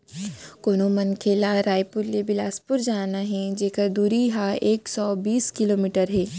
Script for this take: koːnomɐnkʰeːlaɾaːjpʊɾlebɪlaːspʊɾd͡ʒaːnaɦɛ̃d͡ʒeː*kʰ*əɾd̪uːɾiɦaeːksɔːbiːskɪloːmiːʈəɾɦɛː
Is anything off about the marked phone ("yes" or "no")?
yes